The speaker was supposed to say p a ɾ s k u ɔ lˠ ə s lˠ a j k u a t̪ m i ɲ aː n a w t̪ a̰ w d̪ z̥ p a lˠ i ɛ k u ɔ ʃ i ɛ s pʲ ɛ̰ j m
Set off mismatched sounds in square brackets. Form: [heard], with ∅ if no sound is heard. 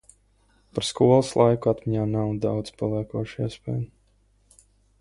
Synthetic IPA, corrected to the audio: p a ɾ s k u ɔ lˠ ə s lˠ a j k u a t̪ m i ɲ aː n a w [d̪] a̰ w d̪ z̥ p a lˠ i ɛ k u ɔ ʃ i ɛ s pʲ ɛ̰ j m